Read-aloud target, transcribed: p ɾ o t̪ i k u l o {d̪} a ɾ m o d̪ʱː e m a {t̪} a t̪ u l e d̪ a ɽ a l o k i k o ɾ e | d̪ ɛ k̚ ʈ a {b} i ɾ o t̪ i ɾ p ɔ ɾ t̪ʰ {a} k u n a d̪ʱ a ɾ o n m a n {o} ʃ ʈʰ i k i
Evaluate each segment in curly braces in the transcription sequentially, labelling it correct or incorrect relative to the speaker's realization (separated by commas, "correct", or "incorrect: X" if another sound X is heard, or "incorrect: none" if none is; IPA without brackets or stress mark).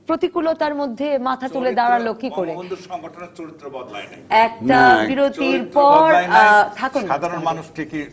incorrect: t̪, incorrect: t̪ʰ, correct, correct, incorrect: u